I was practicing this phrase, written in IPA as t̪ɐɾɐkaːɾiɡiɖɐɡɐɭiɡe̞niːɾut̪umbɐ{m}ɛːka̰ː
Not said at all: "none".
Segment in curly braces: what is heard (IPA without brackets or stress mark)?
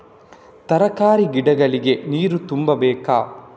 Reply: b